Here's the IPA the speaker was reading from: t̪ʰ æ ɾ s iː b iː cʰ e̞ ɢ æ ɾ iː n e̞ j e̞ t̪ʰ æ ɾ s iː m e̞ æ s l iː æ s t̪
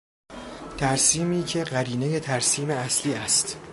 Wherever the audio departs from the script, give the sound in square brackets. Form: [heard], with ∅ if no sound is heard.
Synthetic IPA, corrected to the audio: t̪ʰ æ ɾ s iː [m] iː cʰ e̞ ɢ æ ɾ iː n e̞ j e̞ t̪ʰ æ ɾ s iː m e̞ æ s l iː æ s t̪

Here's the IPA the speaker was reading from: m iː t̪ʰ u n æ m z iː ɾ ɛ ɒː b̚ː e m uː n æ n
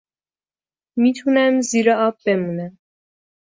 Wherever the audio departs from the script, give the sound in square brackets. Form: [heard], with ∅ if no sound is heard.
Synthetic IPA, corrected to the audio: m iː t̪ʰ u n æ m z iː ɾ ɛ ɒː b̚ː e m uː n æ [m]

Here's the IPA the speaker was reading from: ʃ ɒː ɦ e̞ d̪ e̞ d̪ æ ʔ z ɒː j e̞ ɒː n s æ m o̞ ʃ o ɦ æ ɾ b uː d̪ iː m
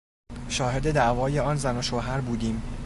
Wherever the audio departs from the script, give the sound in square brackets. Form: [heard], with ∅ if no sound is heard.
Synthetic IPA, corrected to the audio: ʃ ɒː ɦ e̞ d̪ e̞ d̪ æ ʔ [v] ɒː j e̞ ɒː n [z] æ [n] o̞ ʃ o ɦ æ ɾ b uː d̪ iː m

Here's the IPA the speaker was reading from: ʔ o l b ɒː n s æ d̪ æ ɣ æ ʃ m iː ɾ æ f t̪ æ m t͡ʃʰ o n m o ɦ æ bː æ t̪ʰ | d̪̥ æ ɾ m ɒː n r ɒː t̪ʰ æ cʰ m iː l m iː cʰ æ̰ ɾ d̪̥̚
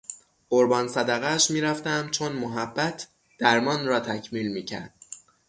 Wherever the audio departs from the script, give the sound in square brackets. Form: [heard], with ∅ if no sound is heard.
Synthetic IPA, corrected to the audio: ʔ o [ɾ] b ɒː n s æ d̪ æ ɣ æ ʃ m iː ɾ æ f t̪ æ m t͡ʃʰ o n m o ɦ æ bː æ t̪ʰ | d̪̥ æ ɾ m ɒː n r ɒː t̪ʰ æ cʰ m iː l m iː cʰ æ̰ ɾ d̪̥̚

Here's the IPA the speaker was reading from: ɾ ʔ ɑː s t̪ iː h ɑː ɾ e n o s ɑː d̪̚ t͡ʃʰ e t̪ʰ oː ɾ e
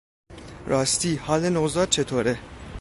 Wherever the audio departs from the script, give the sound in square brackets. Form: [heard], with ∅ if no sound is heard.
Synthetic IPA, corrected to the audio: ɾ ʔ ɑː s t̪ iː h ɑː [l] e n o [z] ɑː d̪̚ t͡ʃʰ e t̪ʰ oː ɾ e

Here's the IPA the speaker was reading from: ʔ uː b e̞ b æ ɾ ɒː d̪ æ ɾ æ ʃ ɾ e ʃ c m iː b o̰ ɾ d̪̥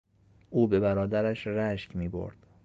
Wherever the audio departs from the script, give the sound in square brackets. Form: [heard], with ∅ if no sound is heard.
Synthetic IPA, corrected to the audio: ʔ uː b e̞ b æ ɾ ɒː d̪ æ ɾ æ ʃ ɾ [æ] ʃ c m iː b o̰ ɾ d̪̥

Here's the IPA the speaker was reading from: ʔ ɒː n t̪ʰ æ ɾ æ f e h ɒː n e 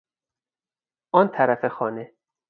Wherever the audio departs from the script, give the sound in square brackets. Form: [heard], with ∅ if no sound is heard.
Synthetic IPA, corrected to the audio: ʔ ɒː n t̪ʰ æ ɾ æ f e [x] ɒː n e

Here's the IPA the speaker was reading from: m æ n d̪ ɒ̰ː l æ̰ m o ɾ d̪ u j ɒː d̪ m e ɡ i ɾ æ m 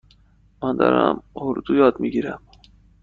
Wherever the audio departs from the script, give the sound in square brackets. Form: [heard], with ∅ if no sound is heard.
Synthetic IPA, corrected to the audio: m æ n d̪ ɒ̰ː [ɾ] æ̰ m o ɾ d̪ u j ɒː d̪ m [i] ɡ i ɾ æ m

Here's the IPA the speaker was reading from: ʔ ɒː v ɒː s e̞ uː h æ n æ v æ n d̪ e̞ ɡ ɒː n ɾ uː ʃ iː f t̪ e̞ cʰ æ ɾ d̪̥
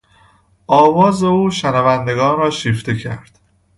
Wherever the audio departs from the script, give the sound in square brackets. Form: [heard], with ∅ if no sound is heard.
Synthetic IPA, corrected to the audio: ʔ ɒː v ɒː [z] e̞ uː [ʃ] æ n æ v æ n d̪ e̞ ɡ ɒː n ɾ [ɒː] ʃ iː f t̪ e̞ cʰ æ ɾ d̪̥

